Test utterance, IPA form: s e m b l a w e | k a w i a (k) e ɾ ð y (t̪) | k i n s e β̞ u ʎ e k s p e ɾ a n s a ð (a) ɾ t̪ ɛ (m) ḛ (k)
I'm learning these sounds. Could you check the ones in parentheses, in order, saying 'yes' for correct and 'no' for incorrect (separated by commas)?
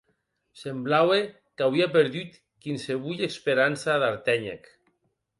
no, yes, yes, no, yes